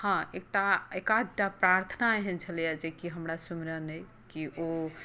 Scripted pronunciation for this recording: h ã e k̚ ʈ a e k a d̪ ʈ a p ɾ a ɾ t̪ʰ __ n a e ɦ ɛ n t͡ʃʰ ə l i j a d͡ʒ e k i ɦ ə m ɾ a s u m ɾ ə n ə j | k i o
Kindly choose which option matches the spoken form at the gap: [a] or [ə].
ə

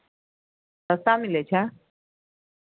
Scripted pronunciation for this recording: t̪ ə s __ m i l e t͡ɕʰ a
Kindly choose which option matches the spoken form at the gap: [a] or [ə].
a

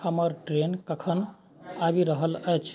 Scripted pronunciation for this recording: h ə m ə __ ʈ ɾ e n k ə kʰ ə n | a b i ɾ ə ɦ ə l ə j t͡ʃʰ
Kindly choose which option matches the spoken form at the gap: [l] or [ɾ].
ɾ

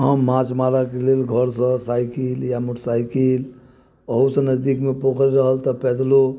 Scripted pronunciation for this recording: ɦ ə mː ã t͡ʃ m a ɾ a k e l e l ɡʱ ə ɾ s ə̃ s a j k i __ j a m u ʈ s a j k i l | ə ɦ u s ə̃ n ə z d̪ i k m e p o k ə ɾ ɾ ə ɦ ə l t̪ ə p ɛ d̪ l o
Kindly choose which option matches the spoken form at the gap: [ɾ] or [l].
l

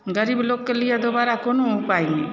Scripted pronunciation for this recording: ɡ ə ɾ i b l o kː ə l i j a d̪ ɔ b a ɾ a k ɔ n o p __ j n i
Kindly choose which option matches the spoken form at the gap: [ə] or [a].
a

